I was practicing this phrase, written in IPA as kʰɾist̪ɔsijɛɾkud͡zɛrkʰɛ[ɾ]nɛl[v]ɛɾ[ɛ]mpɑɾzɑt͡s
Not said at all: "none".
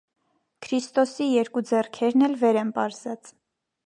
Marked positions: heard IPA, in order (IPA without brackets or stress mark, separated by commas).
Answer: ɾ, v, ɛ